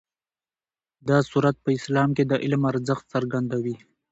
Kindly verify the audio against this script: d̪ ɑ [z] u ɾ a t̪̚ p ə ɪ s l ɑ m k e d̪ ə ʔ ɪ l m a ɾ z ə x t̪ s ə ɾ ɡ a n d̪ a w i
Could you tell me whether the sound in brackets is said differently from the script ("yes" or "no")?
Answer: yes